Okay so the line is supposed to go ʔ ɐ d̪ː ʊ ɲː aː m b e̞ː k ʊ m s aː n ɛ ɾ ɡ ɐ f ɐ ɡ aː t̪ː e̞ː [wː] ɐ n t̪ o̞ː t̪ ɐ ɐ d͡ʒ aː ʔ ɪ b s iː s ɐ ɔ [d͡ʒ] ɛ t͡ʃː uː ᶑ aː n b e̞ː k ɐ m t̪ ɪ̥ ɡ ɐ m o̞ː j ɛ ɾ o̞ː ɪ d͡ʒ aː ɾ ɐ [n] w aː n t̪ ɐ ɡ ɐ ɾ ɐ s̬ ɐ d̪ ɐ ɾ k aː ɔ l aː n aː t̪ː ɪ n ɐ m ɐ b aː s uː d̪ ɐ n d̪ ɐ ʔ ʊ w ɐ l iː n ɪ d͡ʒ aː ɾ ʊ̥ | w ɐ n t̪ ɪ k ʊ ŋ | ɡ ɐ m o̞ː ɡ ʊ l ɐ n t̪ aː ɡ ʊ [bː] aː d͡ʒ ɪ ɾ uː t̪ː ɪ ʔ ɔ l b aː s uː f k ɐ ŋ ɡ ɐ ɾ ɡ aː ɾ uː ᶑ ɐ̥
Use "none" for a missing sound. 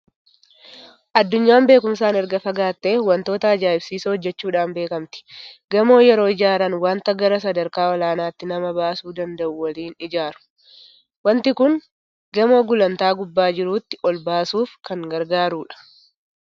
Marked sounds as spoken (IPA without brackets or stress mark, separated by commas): w, d͡ʒː, n, bː